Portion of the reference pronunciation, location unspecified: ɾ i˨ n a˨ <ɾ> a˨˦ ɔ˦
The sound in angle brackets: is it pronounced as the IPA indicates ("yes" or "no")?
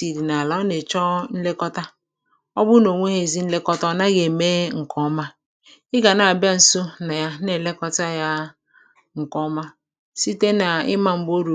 no